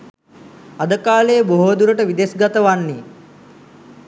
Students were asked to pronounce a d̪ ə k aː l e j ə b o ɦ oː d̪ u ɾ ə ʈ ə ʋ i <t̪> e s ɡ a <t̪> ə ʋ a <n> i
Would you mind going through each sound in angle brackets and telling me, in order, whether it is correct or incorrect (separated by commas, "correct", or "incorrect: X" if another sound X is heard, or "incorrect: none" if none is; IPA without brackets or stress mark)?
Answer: incorrect: d̪, correct, incorrect: nː